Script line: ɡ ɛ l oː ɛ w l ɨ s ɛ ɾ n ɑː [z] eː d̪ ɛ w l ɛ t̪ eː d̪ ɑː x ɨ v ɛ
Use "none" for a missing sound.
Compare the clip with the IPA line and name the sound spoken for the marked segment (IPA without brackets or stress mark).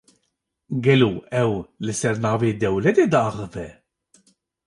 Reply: v